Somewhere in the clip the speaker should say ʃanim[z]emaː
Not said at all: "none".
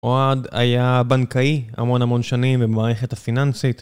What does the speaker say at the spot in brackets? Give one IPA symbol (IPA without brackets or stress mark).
v